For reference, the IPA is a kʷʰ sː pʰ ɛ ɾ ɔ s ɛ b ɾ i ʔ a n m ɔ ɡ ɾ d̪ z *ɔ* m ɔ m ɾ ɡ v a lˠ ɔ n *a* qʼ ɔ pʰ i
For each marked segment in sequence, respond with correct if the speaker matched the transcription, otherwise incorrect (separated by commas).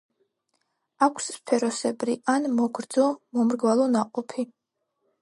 correct, correct